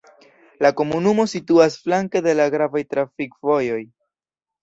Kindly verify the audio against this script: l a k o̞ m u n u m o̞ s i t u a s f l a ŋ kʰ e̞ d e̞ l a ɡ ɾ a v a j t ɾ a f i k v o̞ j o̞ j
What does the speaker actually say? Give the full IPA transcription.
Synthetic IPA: l a k o̞ m u n u m o̞ s i t u a s f l a ŋ k e̞ d e̞ l a ɡ ɾ a v a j t ɾ a f i k v o̞ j o̞ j